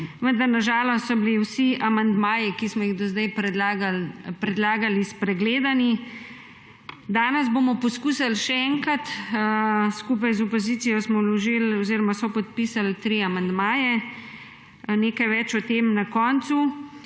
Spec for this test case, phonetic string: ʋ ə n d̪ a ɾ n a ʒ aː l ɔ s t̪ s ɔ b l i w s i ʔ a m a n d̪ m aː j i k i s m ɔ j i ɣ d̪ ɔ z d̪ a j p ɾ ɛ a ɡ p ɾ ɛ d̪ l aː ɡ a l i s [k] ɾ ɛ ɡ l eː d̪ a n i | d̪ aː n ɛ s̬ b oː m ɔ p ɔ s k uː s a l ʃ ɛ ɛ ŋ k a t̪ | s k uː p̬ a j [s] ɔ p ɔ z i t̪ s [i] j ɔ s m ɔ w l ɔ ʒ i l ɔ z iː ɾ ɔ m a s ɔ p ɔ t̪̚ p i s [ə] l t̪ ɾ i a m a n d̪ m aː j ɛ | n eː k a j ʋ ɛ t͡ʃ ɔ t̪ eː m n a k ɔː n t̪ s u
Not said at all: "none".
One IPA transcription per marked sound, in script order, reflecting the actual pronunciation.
p, z, i, a

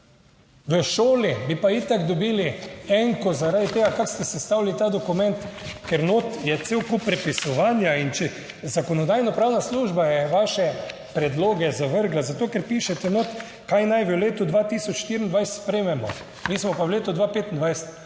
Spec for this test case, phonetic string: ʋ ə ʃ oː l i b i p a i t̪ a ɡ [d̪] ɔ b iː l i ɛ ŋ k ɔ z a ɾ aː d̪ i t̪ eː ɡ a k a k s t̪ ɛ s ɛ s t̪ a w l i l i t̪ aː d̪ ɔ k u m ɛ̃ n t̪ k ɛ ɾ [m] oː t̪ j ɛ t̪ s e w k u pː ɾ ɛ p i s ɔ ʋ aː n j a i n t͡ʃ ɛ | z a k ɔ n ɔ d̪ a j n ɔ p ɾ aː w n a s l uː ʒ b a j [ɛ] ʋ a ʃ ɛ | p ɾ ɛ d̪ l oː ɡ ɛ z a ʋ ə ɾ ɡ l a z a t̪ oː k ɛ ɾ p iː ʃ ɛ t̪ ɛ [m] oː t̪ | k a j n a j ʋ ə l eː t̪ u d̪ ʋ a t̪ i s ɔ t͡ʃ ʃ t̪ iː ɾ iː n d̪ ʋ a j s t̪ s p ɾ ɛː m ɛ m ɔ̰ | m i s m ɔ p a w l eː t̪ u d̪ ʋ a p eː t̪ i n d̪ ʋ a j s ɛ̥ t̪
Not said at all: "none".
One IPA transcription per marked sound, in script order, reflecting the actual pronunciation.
d̪, n, ɛ, n

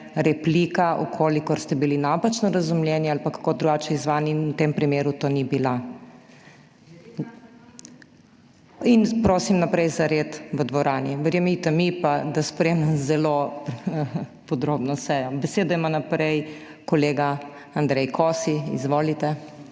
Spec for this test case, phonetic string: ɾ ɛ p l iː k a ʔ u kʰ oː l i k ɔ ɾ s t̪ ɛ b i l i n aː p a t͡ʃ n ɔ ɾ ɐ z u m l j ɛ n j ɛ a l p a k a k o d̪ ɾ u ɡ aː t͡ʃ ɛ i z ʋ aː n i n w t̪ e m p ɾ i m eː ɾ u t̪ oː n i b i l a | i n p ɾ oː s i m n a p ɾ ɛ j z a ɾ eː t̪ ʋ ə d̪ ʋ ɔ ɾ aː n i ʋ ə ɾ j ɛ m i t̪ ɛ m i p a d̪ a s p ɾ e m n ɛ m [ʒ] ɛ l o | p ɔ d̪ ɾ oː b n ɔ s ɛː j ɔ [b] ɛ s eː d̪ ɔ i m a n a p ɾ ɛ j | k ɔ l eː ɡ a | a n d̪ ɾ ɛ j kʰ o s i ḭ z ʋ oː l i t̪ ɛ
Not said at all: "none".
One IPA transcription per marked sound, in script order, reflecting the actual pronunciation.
z, b

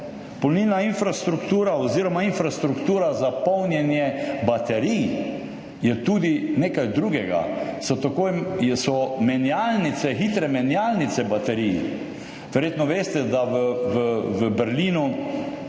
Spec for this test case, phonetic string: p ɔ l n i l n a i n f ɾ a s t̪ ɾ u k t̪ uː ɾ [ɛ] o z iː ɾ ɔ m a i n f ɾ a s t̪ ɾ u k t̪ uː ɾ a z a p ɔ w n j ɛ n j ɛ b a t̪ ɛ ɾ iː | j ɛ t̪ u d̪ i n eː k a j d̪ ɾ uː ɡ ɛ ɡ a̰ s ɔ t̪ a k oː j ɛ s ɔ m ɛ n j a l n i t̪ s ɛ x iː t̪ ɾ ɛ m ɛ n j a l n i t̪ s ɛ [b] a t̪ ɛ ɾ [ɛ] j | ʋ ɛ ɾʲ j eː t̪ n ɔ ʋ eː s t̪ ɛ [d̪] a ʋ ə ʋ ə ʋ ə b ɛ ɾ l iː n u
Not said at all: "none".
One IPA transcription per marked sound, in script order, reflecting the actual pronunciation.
a, b, i, d̪

